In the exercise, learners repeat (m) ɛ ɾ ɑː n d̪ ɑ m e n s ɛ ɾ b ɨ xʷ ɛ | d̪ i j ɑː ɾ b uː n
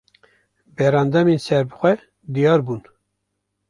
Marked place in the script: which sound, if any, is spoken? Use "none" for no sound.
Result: b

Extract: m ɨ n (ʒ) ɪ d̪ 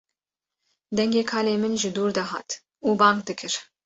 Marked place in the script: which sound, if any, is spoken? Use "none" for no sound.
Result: ʒ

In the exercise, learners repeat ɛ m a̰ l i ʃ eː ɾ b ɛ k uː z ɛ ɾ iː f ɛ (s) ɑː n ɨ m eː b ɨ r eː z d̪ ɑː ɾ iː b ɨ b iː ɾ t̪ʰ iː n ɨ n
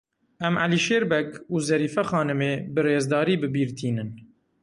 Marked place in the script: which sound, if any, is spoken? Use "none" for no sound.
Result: x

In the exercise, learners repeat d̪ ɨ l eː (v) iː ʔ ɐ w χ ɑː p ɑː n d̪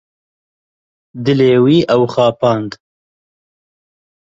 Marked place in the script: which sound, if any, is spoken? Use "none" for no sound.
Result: w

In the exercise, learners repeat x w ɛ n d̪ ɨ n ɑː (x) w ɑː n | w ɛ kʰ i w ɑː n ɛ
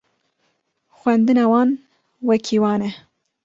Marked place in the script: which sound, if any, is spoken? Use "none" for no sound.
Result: none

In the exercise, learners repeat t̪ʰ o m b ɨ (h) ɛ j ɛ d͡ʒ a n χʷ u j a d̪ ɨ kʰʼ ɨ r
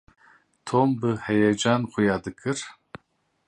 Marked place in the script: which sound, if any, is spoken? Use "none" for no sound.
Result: h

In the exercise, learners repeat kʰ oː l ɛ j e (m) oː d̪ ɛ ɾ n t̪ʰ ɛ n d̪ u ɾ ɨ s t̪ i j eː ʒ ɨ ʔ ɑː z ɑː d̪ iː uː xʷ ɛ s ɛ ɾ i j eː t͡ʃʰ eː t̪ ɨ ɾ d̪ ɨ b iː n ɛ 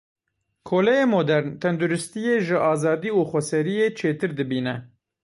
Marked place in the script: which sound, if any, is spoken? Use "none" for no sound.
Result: m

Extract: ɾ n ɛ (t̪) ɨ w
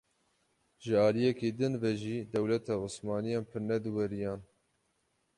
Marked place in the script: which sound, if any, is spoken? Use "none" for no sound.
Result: d̪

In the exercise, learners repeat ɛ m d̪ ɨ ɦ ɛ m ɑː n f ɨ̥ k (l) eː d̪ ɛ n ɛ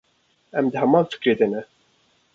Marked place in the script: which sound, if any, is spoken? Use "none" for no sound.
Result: ɾ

